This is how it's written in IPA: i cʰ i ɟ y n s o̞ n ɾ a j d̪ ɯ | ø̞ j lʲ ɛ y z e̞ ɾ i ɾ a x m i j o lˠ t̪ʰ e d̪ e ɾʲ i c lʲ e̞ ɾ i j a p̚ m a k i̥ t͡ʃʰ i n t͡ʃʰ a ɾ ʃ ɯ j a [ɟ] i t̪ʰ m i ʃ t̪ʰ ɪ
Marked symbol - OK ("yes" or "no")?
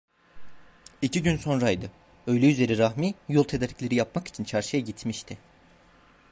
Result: yes